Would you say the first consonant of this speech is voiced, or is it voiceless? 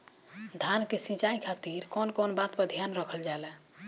voiced